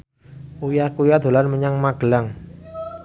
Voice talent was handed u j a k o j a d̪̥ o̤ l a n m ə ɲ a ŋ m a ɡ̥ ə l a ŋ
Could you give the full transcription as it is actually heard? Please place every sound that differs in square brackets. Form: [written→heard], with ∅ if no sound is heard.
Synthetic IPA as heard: u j a k [o→u] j a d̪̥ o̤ l a n m ə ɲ a ŋ m a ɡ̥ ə l a ŋ